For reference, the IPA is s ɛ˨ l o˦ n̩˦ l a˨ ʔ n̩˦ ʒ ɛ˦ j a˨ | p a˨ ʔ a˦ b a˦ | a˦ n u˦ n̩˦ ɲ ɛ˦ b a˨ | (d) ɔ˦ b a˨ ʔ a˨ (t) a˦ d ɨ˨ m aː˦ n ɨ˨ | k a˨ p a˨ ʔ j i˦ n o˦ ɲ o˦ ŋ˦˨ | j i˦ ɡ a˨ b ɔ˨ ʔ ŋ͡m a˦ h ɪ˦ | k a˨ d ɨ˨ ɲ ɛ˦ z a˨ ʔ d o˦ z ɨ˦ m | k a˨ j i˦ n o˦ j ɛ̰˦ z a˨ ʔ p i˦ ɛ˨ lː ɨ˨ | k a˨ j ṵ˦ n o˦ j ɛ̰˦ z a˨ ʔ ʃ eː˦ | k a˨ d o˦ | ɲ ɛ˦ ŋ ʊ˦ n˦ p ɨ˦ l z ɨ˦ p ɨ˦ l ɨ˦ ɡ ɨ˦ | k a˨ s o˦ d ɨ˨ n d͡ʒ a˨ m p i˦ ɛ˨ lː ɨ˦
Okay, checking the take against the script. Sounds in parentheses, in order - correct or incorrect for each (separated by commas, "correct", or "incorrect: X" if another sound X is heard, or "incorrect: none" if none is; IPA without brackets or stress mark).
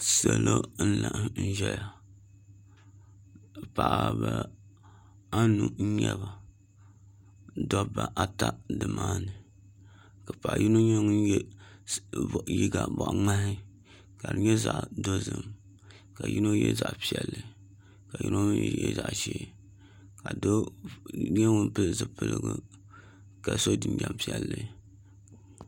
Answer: correct, correct